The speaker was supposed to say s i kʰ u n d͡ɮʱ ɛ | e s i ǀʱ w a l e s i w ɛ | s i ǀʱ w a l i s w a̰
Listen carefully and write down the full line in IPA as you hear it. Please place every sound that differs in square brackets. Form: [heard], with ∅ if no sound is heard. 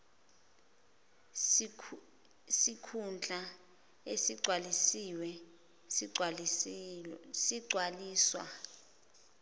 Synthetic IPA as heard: s i kʰ u n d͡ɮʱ [a] | e s i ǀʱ w a l [i] s i w ɛ | s i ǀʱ w a l [iː] s w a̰